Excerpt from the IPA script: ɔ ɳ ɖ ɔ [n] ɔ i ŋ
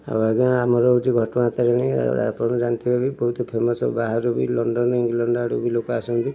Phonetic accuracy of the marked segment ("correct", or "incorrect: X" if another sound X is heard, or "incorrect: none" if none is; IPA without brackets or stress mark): correct